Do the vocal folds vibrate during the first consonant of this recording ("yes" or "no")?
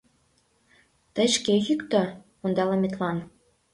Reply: no